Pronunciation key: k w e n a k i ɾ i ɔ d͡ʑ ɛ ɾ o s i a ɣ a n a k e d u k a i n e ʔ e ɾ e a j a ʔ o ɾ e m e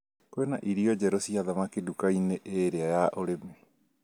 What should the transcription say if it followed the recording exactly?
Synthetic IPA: k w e n a ʔ i ɾ i ɔ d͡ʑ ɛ ɾ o s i a ð a m a k e d u k a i n e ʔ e ɾ e a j a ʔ o ɾ e m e